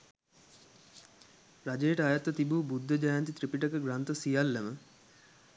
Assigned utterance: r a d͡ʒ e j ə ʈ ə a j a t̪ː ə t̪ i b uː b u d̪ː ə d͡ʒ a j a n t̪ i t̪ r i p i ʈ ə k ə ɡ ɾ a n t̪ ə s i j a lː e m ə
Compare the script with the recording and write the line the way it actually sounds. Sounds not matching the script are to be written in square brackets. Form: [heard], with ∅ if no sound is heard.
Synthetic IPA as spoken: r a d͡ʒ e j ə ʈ ə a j a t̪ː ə t̪ i b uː b u d̪ː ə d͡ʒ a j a n t̪ i t̪ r i p i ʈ ə k ə ɡ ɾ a n t̪ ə s i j a lː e m ə